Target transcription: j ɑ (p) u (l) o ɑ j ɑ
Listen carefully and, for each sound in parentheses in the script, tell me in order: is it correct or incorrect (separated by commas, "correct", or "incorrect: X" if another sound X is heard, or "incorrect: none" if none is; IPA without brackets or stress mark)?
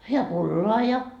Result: correct, incorrect: lː